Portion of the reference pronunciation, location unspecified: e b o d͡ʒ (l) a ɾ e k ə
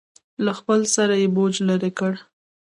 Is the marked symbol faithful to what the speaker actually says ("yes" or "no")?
yes